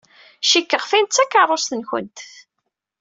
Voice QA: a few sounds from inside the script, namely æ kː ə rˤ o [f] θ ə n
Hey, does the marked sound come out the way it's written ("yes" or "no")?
no